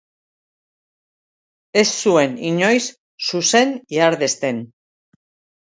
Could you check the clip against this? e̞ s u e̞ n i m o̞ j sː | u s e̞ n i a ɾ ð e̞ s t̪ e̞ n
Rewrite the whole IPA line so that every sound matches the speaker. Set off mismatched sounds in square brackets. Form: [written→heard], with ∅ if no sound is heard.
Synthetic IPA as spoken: e̞ [s→sː] u e̞ n i [m→ɲ] o̞ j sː | u s e̞ n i a ɾ ð e̞ s t̪ e̞ n